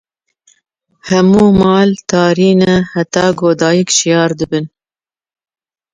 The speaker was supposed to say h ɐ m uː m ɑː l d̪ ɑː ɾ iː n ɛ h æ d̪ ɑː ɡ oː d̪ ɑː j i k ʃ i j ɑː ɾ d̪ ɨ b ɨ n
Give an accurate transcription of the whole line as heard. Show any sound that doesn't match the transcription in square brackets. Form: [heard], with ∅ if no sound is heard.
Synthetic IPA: h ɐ m uː m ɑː l [t̪] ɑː ɾ iː n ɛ h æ [t̪] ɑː ɡ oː d̪ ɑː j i k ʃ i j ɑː ɾ d̪ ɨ b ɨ n